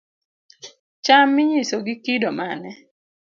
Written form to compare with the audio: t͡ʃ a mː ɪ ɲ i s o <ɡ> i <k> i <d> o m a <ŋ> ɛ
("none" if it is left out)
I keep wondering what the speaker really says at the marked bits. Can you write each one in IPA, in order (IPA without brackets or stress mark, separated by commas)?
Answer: ɡ, k, d, n